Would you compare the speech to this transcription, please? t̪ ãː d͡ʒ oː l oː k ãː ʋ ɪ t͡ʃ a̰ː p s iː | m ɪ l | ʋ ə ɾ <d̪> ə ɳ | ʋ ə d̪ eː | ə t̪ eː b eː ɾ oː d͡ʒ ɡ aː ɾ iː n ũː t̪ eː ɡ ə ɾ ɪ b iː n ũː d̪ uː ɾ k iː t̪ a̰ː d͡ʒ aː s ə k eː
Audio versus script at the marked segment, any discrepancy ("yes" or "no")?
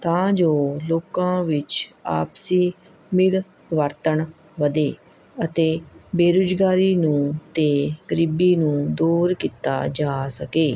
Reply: yes